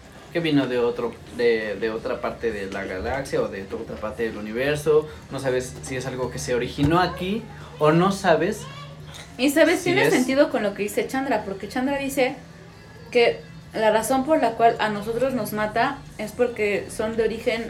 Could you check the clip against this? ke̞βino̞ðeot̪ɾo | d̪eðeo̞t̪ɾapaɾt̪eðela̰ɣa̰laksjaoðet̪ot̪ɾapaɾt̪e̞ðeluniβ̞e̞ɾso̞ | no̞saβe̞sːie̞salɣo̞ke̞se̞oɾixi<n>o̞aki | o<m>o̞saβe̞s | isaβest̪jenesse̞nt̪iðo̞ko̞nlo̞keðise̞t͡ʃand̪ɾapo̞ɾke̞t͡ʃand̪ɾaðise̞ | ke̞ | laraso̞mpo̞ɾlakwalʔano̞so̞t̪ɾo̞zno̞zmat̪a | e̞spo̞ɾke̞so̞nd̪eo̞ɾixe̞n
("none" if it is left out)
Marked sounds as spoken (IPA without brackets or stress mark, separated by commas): n, n